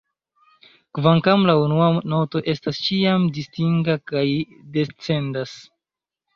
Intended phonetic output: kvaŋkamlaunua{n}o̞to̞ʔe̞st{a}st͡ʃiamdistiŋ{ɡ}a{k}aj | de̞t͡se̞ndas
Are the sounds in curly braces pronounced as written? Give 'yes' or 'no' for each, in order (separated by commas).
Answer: yes, yes, yes, yes